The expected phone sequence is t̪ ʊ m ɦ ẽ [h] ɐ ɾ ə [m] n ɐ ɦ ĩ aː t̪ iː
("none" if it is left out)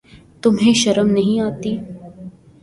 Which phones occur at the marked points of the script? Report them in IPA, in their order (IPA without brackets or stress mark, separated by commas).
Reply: ʃ, m